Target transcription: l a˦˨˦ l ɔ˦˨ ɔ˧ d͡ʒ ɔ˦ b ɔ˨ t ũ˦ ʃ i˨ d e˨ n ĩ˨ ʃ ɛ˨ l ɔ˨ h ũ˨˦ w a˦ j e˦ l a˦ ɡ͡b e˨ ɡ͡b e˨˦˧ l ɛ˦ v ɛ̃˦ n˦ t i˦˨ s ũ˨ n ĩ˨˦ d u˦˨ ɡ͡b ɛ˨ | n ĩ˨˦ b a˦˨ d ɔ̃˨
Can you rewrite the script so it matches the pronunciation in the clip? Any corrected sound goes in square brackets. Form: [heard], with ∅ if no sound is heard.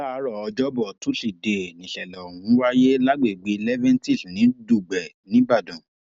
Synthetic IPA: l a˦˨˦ [ɾ] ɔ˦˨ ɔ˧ d͡ʒ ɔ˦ b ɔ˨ t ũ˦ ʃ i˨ d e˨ n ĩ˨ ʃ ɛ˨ l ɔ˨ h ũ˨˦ w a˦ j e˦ l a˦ ɡ͡b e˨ ɡ͡b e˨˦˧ l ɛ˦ v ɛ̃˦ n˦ t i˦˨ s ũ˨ n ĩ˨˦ d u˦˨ ɡ͡b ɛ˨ | n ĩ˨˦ b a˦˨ d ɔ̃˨